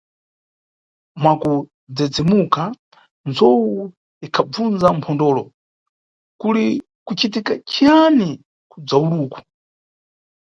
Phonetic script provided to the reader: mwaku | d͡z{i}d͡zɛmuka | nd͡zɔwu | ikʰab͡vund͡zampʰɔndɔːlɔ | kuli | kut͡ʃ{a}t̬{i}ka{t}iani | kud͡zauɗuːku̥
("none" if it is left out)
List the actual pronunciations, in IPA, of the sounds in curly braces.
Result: ɛ, i, i, t͡ʃ

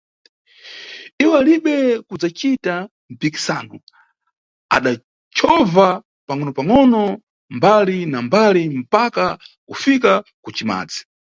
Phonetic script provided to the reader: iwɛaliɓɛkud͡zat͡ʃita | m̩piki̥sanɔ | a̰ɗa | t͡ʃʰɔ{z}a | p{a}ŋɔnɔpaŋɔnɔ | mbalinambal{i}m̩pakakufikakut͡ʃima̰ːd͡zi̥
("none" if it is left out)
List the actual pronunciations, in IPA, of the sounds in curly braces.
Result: v, a, i

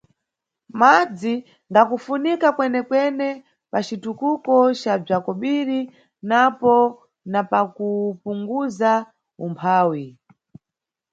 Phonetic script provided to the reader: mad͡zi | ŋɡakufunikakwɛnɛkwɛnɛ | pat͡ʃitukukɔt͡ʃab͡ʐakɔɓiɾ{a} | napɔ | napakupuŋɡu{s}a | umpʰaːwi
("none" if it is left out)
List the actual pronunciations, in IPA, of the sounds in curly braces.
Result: i, z

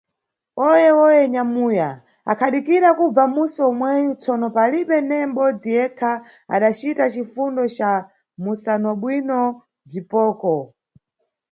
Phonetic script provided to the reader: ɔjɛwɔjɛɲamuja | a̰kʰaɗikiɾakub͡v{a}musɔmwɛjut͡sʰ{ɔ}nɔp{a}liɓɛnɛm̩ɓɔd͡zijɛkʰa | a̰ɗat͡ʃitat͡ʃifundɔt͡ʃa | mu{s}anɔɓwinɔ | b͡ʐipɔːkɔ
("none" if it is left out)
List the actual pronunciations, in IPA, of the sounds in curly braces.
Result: a, ɔ, a, s

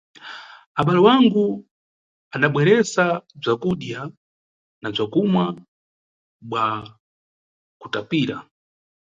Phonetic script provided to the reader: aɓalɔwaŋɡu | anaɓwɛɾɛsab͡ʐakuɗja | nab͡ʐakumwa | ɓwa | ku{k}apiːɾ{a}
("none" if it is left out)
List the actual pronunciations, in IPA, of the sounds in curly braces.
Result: t, a

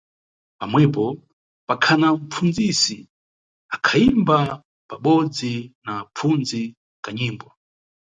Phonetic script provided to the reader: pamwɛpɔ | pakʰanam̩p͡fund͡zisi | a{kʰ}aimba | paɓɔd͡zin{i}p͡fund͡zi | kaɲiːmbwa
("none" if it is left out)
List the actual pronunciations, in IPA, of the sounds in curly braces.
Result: kʰ, a

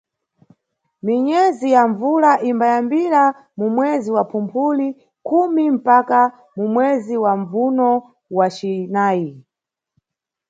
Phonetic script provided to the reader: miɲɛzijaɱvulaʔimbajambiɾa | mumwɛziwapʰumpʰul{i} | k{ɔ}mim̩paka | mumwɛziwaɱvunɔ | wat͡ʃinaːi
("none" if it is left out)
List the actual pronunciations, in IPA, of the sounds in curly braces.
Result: i, u

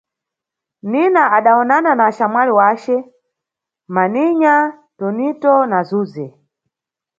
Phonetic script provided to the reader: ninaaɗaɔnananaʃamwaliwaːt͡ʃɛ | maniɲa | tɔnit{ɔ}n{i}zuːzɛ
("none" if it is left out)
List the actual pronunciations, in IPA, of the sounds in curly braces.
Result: ɔ, a

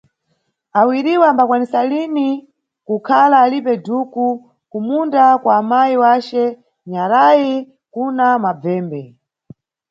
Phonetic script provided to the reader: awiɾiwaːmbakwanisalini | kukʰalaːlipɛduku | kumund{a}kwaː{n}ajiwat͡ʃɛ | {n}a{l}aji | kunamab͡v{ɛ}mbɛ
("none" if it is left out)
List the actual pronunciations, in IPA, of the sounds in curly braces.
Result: a, m, ɲ, ɾ, ɛː

